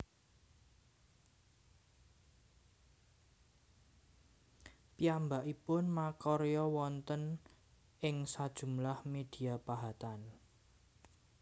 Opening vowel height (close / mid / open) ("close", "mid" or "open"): close